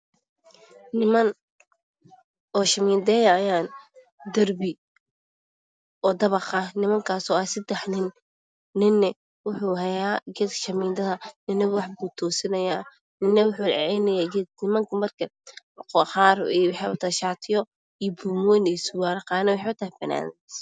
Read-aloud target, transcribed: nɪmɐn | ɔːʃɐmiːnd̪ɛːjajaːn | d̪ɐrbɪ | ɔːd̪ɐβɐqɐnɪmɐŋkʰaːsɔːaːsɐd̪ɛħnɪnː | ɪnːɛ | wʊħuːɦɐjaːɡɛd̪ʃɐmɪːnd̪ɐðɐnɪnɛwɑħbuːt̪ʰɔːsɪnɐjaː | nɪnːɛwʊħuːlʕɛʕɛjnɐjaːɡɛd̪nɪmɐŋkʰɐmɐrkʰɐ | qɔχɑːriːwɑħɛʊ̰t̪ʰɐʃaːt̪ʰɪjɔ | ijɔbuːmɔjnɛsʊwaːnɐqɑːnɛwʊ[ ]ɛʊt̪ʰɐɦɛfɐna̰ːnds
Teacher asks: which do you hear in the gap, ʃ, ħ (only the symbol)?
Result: ħ